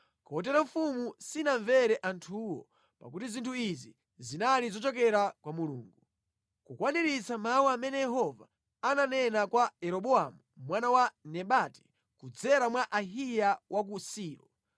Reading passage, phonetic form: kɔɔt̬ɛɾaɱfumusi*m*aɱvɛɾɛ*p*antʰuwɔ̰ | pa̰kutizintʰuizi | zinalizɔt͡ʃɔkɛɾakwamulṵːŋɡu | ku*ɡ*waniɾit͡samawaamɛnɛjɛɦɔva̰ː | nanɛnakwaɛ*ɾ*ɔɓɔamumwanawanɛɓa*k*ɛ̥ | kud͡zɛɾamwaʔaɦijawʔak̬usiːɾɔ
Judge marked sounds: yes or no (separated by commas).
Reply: no, no, no, yes, no